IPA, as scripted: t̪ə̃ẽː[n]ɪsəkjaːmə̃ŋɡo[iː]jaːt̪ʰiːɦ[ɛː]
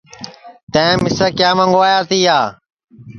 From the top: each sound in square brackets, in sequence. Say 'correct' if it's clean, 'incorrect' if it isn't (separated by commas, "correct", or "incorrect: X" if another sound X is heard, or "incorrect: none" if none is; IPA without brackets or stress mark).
incorrect: m, incorrect: aː, incorrect: aː